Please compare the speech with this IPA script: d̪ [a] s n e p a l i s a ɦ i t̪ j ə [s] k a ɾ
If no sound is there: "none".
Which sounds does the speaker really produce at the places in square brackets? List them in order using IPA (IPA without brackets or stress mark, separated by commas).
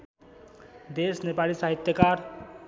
e, none